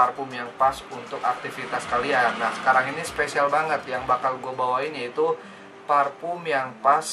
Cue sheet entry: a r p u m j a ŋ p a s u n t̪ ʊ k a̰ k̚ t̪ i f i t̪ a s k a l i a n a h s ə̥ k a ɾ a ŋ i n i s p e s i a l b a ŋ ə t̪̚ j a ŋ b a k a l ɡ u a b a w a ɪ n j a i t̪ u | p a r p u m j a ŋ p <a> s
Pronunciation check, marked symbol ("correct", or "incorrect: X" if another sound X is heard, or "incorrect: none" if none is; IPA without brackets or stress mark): correct